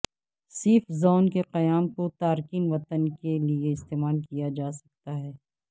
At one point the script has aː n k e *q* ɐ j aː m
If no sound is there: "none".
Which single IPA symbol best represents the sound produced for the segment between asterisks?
q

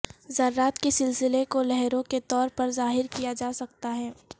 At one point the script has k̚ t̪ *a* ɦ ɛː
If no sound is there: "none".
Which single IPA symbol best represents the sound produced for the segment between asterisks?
a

